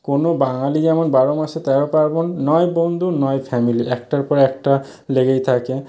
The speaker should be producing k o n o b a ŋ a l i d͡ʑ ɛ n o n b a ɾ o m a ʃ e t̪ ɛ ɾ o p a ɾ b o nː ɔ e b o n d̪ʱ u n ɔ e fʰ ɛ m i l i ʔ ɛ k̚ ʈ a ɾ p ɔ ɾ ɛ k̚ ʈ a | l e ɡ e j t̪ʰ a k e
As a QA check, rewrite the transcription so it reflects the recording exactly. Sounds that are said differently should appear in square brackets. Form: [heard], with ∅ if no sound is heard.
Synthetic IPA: k o n o b a ŋ a l i d͡ʑ ɛ [m] o n b a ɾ o m a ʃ e t̪ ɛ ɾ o p a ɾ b o nː ɔ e b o n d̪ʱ u n ɔ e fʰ ɛ m i l i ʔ ɛ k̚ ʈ a ɾ p ɔ ɾ ɛ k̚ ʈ a | l e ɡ e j t̪ʰ a k e